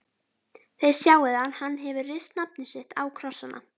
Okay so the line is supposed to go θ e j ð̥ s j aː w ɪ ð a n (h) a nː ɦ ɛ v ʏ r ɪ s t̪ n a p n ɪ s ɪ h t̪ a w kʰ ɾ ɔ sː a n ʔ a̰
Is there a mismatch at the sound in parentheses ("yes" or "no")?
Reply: no